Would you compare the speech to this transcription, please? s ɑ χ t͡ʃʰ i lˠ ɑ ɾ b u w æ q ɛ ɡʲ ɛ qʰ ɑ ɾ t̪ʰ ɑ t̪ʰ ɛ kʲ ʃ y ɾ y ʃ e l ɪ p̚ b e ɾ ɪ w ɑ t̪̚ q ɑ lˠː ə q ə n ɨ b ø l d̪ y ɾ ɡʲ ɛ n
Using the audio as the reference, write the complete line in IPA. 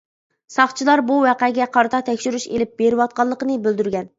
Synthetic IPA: s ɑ χ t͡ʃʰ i lˠ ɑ ɾ b u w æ q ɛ ɡʲ ɛ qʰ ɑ ɾ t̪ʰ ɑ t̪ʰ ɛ kʲ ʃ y ɾ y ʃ e l ɪ p̚ b e ɾ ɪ w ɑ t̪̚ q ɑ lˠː ə q ə n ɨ b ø l d̪ y ɾ ɡʲ ɛ n

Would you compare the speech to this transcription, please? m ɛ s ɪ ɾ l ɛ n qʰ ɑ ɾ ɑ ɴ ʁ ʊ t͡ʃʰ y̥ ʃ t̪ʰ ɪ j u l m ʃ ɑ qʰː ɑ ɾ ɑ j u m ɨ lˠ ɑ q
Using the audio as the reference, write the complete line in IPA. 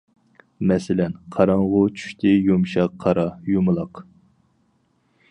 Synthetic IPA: m ɛ s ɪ l ɛ n qʰ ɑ ɾ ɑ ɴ ʁ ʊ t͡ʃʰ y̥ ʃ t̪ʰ ɪ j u m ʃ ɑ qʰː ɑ ɾ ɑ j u m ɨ lˠ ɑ q

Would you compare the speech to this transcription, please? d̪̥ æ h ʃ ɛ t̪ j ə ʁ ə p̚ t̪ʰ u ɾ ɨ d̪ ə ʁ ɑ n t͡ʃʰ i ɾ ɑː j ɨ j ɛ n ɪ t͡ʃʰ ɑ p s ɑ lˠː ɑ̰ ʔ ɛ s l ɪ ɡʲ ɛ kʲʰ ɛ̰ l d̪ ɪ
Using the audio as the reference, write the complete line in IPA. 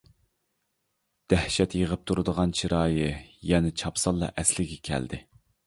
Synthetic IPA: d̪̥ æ h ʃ ɛ t̪ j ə ʁ ə p̚ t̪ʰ u ɾ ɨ d̪ ə ʁ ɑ n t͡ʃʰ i ɾ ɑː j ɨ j ɛ n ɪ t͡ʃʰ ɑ p s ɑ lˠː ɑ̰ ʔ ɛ s l ɪ ɡʲ ɛ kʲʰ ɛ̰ l d̪ ɪ

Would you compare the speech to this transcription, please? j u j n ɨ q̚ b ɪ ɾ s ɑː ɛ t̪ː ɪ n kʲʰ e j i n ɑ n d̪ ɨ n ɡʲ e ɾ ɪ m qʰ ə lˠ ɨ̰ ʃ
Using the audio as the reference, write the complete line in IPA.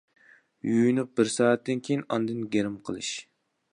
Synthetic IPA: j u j n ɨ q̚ b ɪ ɾ s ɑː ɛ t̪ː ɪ n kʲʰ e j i n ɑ n d̪ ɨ n ɡʲ e ɾ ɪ m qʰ ə lˠ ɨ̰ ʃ

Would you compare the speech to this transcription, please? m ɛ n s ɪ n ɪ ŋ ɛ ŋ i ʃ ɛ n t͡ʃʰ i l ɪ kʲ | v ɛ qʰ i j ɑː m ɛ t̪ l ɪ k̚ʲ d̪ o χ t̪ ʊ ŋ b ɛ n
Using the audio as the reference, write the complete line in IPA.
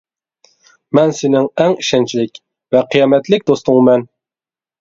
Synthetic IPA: m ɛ n s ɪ n ɪ ŋ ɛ ŋ i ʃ ɛ n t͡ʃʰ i l ɪ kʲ | v ɛ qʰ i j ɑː m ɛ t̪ l ɪ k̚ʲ d̪ o s t̪ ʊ ŋ m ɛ n

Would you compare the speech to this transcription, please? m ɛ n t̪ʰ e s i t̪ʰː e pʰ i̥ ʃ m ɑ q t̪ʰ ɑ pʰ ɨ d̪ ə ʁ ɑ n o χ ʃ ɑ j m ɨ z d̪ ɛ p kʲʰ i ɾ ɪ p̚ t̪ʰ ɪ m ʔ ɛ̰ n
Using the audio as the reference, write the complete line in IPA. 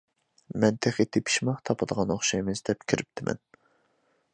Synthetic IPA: m ɛ n t̪ʰ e χ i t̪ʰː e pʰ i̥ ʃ m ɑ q t̪ʰ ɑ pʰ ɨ d̪ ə ʁ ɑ n o χ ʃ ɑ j m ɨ z d̪ ɛ p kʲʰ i ɾ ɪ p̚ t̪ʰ ɪ m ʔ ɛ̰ n

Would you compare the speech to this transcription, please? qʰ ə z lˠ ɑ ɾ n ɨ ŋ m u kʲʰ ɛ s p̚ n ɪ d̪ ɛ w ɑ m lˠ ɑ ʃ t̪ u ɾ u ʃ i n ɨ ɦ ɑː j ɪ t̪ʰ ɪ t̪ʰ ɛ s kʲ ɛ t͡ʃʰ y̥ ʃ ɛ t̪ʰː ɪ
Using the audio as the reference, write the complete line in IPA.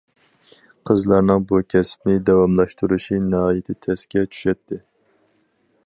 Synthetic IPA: qʰ ə z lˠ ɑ ɾ n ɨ ŋ b u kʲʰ ɛ s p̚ n ɪ d̪ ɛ w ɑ m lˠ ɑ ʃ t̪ u ɾ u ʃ i n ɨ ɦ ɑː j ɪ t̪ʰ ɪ t̪ʰ ɛ s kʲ ɛ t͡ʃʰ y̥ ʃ ɛ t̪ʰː ɪ

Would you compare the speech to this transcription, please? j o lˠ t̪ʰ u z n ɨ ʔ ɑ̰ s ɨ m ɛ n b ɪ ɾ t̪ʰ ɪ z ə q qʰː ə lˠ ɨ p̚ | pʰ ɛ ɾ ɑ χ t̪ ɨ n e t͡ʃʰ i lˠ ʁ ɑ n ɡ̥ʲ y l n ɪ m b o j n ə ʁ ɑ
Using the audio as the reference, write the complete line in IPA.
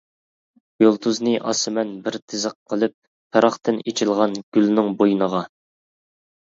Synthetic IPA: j o lˠ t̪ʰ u z n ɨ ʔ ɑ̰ s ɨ m ɛ n b ɪ ɾ t̪ʰ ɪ z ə q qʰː ə lˠ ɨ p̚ | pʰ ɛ ɾ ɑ χ t̪ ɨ n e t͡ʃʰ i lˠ ʁ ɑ n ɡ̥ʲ y l n ɪ ŋ b o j n ə ʁ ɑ

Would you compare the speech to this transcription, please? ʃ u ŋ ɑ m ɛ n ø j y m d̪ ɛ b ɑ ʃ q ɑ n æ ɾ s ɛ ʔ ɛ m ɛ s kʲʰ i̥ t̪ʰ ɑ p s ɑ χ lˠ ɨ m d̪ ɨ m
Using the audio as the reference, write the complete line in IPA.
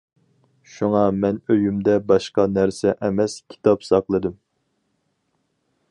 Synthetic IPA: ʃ u ŋ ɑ m ɛ n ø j y m d̪ ɛ b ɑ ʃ q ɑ n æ ɾ s ɛ ʔ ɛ m ɛ s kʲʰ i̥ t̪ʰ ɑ p s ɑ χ lˠ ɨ d̪ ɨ m

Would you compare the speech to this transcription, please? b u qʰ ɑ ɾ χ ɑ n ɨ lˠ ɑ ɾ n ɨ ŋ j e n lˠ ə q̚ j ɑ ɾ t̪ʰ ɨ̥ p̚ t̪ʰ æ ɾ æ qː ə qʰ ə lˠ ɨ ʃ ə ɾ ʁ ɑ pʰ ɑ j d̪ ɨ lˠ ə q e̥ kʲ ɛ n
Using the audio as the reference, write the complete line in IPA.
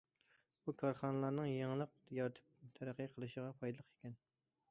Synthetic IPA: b u kʰ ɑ ɾ χ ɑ n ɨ lˠ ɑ ɾ n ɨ ŋ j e ŋ lˠ ə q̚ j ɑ ɾ t̪ʰ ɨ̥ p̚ t̪ʰ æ ɾ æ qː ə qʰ ə lˠ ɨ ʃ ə ʁ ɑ pʰ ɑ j d̪ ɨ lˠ ə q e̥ kʲ ɛ n

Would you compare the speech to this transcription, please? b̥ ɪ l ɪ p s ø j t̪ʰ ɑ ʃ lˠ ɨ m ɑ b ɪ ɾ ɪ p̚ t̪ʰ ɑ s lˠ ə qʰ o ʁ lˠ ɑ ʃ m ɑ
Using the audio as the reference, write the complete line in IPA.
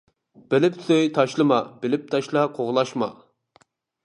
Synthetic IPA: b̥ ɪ l ɪ p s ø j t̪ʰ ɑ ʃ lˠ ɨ m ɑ b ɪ l ɪ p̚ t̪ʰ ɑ ʃ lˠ ɑ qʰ o ʁ lˠ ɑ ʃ m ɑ

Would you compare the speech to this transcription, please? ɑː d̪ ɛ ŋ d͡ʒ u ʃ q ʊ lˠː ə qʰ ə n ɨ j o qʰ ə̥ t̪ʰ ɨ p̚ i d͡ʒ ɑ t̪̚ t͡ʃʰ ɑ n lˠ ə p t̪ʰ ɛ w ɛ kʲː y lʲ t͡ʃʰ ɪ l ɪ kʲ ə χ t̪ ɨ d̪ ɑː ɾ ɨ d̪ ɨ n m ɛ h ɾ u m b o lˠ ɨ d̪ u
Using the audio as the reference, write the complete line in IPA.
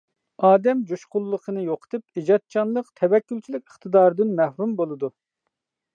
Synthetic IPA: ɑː d̪ ɛ m d͡ʒ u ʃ q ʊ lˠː ə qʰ ə n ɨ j o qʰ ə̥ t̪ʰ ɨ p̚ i d͡ʒ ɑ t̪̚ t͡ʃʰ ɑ n lˠ ə q t̪ʰ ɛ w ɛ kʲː y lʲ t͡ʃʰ i l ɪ kʲ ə χ t̪ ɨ d̪ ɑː ɾ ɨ d̪ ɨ n m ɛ h ɾ u m b o lˠ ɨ d̪ u

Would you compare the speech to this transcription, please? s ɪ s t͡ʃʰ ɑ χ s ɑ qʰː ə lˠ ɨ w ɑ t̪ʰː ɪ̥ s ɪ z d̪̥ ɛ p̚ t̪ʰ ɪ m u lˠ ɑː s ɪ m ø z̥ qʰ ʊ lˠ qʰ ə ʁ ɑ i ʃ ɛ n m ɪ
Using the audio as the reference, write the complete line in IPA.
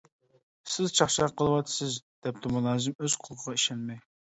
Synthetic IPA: s ɪ z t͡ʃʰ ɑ χ ʃ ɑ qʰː ə lˠ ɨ w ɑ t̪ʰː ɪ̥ s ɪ z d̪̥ ɛ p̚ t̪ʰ ɪ m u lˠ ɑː z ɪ m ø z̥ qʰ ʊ lˠ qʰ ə ʁ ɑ i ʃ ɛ n m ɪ

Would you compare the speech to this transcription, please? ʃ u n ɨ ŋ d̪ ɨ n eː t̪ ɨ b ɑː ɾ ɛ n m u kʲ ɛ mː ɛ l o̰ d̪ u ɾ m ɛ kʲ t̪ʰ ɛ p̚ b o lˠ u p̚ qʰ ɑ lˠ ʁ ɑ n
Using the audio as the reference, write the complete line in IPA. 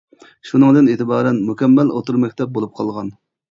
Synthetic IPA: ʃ u n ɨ ŋ d̪ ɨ n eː t̪ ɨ b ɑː ɾ ɛ n m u kʲ ɛ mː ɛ l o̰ t̪ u ɾ m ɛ kʲ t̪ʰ ɛ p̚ b o lˠ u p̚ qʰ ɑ lˠ ʁ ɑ n

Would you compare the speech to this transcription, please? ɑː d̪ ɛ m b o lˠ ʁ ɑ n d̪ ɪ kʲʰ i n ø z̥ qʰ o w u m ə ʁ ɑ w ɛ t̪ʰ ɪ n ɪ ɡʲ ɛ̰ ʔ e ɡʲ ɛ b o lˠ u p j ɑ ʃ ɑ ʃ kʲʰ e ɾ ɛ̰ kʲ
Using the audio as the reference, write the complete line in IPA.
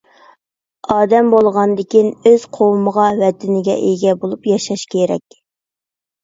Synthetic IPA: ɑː d̪ ɛ m b o lˠ ʁ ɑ n d̪ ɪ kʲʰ i n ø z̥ qʰ o w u m ə ʁ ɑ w ɛ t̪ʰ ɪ n ɪ ɡʲ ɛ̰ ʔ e ɡʲ ɛ b o lˠ u p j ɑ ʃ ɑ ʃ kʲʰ e ɾ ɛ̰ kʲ

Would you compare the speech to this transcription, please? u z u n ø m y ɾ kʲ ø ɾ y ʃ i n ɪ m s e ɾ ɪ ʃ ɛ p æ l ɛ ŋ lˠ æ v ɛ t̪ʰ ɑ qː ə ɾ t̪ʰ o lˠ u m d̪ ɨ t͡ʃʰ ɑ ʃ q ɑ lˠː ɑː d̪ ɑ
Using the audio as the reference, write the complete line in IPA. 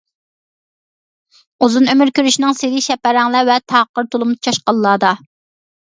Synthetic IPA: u z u n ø m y ɾ kʲ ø ɾ y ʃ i n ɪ ŋ s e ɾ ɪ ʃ ɛ p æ ɾ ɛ ŋ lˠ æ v ɛ t̪ʰ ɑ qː ə ɾ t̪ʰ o lˠ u m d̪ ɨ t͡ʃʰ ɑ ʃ q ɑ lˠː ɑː d̪ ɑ

